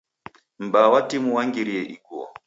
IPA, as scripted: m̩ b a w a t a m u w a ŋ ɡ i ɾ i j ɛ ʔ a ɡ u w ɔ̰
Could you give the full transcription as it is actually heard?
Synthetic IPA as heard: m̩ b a w a t i m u w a ŋ ɡ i ɾ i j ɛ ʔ i ɡ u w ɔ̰